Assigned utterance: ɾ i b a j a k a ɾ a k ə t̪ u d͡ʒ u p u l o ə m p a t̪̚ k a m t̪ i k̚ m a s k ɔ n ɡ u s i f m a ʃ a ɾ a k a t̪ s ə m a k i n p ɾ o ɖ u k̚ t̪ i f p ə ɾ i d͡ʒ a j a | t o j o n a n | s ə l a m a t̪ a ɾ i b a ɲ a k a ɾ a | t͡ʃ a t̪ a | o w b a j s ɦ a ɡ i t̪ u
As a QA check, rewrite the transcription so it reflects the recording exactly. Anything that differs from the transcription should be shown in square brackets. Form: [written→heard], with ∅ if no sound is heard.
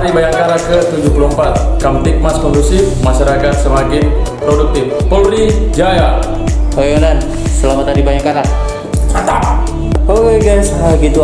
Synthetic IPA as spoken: ɾ i b a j a k a ɾ a k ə t̪ u d͡ʒ u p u l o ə m p a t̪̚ k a m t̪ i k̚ m a s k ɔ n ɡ u s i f m a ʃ a ɾ a k a t̪ s ə m a k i n p ɾ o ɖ u k̚ t̪ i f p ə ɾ i d͡ʒ a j a | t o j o n a n | s ə l a m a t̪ a ɾ i b a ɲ a k a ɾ a | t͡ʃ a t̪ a | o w [b→ɡ] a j s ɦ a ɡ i t̪ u